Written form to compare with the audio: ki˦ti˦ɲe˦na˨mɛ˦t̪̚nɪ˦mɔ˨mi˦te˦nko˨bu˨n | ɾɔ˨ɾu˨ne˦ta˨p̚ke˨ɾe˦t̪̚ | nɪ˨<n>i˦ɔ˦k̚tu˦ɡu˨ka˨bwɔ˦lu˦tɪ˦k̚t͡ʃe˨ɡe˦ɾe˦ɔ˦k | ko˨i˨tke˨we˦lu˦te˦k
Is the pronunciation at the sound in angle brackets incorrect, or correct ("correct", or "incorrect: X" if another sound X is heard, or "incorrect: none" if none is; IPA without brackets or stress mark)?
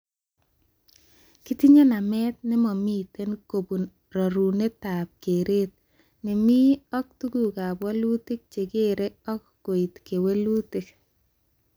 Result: incorrect: m